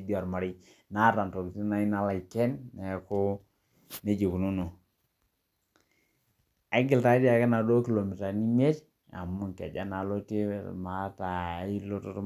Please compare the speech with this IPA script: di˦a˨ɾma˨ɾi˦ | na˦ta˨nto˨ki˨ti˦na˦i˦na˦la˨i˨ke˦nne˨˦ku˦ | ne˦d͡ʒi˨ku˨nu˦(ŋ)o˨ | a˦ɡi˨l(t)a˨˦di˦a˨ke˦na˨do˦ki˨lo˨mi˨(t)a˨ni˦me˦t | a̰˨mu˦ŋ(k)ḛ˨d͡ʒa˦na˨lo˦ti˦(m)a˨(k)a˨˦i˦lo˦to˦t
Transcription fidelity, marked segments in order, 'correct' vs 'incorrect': incorrect, correct, correct, correct, correct, incorrect

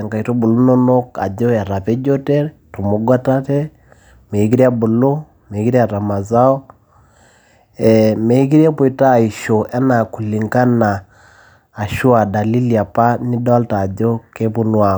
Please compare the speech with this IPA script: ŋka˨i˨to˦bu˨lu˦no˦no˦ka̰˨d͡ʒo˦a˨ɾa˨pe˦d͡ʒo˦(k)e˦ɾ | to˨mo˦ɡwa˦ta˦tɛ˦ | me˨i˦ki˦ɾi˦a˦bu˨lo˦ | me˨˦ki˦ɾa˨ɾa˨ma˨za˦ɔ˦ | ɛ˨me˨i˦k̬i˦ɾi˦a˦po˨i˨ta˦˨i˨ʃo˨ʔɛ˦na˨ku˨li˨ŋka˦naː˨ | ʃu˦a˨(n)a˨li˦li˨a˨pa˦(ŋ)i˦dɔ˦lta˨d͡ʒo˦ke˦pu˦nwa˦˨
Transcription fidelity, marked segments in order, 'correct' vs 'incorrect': incorrect, incorrect, incorrect

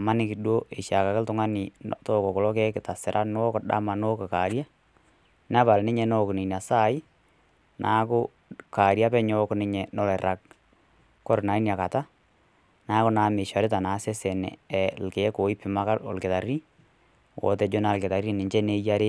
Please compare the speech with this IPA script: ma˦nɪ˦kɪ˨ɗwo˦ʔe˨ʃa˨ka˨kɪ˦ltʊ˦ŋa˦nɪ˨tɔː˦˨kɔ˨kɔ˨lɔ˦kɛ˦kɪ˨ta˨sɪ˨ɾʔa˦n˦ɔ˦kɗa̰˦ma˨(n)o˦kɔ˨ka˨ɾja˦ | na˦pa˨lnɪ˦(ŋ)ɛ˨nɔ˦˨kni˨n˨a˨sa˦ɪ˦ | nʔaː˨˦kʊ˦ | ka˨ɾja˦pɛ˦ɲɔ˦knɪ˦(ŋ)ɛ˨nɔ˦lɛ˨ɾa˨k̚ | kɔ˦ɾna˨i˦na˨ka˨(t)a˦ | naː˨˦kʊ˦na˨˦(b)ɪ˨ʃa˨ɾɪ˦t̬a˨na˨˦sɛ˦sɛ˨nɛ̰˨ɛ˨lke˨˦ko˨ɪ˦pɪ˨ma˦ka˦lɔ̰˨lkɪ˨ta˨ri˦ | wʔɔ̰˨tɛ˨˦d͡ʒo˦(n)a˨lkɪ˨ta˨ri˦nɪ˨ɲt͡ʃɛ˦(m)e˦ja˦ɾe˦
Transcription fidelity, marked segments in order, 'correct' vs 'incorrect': correct, incorrect, incorrect, correct, incorrect, correct, incorrect

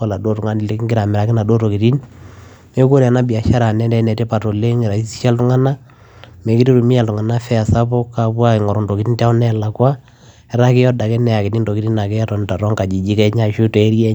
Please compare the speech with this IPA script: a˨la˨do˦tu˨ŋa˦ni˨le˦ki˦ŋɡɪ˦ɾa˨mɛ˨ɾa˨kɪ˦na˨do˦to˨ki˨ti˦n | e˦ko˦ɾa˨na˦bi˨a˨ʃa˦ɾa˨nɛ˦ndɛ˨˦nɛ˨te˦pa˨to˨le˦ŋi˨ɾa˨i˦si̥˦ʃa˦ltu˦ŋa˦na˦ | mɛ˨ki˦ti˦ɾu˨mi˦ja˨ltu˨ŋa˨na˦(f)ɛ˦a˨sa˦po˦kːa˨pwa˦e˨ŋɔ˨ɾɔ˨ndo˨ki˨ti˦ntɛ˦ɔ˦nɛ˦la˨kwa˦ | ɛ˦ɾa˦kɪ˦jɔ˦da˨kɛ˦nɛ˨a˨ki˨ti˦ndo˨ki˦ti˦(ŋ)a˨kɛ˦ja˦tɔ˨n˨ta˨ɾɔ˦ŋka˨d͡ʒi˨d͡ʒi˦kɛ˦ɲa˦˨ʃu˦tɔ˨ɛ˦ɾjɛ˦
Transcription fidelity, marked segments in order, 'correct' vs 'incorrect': correct, incorrect

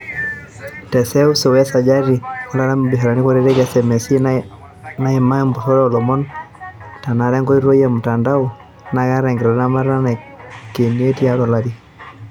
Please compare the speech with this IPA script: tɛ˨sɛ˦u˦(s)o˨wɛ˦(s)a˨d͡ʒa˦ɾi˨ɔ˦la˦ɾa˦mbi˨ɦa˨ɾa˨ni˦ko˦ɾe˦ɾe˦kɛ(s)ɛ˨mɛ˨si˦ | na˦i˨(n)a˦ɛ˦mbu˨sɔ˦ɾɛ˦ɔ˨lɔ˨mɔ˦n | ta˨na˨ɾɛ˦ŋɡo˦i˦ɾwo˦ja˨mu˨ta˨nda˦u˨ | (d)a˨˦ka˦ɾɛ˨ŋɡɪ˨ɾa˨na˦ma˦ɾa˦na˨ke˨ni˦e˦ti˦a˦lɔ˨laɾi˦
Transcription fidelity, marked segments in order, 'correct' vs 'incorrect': correct, correct, correct, incorrect, incorrect

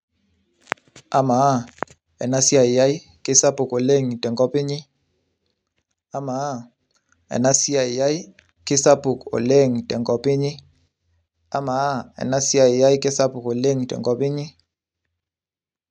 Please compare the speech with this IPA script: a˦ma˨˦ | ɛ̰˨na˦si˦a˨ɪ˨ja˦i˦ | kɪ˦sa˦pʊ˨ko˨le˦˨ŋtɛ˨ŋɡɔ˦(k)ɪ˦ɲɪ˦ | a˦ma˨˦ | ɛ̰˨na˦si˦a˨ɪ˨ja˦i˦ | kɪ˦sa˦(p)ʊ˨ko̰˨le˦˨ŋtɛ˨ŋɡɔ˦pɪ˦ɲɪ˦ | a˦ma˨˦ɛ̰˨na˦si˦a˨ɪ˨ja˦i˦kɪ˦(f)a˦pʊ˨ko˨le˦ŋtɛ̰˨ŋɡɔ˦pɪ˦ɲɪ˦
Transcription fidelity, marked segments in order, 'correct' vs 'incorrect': incorrect, correct, incorrect

